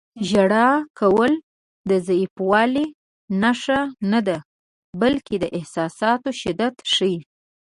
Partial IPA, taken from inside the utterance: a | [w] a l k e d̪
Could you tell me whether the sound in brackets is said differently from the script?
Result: yes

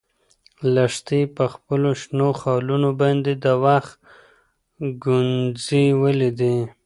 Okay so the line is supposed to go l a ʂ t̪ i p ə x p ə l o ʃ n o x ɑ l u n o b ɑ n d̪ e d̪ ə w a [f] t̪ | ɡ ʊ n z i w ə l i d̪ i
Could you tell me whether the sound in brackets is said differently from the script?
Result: yes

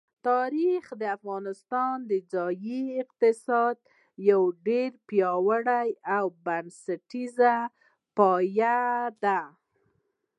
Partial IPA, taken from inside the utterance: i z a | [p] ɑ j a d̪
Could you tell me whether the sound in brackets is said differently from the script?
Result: no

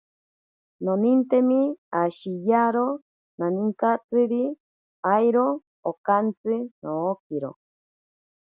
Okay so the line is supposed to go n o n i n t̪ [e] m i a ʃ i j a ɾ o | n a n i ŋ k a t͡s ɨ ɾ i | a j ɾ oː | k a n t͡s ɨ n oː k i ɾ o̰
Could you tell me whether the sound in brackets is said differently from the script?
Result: no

